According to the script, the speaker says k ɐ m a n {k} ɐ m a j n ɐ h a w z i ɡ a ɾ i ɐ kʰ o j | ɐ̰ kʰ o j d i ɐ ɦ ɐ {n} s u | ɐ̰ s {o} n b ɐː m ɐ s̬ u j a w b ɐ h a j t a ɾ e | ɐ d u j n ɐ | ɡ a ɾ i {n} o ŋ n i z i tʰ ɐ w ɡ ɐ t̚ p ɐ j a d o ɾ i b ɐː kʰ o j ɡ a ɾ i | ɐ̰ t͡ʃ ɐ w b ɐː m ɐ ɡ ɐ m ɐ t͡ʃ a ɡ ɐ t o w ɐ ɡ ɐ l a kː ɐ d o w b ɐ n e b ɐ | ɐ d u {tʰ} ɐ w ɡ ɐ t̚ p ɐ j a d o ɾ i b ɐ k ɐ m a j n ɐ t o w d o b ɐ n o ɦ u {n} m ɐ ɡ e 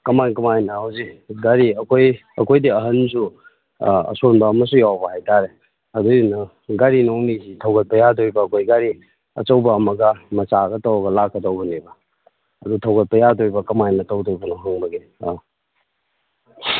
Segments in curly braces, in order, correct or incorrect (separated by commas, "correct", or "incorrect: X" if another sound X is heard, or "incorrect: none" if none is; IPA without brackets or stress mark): correct, correct, correct, correct, correct, incorrect: ŋ